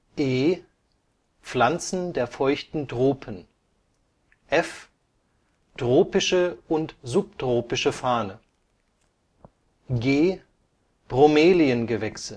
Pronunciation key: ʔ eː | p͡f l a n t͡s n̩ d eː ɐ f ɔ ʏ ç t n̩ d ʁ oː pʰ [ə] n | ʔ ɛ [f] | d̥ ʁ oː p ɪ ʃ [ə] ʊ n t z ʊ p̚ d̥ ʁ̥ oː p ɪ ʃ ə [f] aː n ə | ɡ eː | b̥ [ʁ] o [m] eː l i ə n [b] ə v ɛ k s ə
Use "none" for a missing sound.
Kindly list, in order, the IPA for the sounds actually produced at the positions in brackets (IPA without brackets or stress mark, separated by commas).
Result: ə, f, ə, f, ʁ, m, ɡ